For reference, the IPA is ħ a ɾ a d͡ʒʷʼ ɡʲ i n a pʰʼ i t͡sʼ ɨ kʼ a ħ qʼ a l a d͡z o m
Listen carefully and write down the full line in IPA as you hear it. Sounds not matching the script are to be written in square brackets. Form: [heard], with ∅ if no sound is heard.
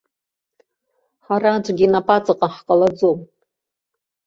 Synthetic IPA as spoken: ħ a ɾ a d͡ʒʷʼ ɡʲ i n a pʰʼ [a] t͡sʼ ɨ [qʼ] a ħ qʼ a l a d͡z o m